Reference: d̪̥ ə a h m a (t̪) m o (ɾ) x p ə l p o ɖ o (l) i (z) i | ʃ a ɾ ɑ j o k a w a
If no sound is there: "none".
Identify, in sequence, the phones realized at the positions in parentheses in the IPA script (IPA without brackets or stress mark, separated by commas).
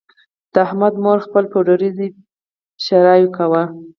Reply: d̪, ɾ, ɾ, z